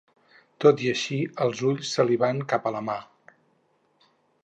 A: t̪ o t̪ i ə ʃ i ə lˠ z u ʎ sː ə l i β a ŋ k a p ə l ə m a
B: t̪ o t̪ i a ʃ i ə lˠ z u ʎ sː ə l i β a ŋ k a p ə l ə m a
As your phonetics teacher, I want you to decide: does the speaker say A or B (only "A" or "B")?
A